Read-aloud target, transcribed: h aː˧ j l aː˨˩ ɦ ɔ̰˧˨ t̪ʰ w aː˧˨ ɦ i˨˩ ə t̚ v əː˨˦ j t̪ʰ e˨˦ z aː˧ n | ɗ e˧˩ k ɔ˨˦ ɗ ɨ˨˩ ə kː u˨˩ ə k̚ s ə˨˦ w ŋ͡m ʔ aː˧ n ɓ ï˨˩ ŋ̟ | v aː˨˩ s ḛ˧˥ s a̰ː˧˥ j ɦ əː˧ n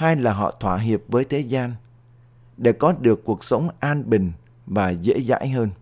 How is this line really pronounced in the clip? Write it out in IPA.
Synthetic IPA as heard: h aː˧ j l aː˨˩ ɦ ɔ̰˧˨ t̪ʰ w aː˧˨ ɦ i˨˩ ə p̚ v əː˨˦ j t̪ʰ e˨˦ z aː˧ n | ɗ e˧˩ k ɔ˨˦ ɗ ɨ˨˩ ə kː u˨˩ ə k̚ s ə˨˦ w ŋ͡m ʔ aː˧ n ɓ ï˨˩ ŋ̟ | v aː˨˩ z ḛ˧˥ z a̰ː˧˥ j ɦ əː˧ n